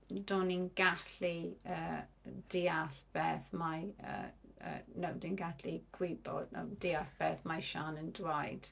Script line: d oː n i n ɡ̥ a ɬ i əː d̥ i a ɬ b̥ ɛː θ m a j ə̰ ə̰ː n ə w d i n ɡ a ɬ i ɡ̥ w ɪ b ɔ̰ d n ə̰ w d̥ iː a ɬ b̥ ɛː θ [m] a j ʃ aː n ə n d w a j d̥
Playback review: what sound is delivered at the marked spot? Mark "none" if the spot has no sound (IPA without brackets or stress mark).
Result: m